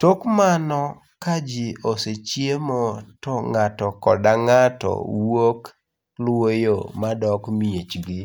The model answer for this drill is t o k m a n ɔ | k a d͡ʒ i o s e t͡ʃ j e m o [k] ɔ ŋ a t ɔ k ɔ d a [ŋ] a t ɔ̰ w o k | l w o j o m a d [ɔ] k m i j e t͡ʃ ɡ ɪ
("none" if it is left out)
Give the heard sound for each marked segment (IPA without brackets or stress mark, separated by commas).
t, ŋ, ɔ